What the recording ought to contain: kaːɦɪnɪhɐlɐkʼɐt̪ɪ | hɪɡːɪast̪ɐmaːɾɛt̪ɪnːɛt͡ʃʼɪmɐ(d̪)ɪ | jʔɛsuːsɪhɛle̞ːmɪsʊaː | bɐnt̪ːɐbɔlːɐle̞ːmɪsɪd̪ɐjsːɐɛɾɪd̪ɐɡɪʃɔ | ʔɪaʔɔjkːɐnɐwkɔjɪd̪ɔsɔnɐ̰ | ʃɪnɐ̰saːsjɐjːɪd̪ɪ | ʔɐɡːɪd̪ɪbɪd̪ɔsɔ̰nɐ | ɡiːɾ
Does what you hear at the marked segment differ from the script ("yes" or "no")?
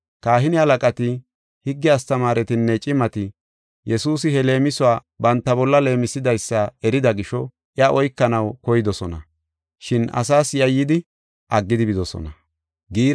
yes